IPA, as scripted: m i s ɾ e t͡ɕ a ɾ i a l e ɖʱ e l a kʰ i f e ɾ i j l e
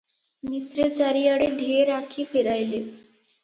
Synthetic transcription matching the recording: m i s ɾ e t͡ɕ a ɾ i a ɽ e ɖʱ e ɾ a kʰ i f e ɾ a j l e